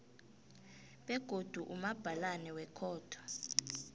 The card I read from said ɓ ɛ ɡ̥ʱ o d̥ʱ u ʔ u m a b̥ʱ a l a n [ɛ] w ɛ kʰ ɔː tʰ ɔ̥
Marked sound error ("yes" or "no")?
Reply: no